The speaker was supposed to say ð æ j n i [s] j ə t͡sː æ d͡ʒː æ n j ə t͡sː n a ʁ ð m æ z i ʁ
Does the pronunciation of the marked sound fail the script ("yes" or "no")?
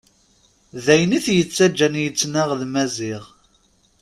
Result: yes